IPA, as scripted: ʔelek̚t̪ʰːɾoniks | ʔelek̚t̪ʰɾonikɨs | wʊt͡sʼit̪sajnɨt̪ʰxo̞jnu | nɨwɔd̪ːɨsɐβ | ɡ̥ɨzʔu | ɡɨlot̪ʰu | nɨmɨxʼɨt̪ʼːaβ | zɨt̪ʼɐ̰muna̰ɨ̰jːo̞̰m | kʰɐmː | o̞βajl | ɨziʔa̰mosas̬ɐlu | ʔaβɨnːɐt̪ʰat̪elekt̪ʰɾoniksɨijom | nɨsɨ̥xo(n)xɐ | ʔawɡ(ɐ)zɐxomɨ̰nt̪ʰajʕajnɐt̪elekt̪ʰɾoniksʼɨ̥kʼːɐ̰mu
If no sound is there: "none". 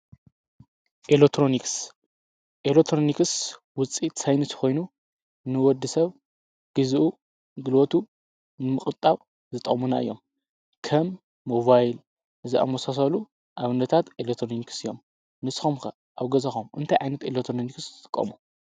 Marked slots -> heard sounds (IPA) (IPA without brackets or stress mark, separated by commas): m, ɐ